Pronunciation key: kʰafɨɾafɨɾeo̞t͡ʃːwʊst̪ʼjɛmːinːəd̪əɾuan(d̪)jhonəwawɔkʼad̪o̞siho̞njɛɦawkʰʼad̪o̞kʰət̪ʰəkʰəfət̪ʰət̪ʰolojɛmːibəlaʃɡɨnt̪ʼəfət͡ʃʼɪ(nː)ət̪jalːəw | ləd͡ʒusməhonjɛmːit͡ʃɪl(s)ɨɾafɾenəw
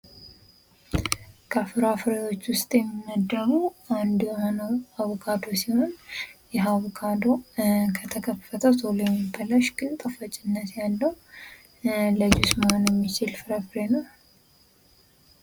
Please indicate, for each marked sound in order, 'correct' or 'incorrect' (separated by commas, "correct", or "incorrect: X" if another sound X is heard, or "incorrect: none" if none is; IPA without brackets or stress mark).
correct, correct, incorrect: f